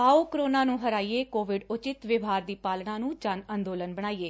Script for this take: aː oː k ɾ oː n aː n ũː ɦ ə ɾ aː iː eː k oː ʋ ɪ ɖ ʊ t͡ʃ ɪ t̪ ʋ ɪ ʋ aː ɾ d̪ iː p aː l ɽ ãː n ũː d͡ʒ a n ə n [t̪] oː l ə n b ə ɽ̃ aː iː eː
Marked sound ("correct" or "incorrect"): incorrect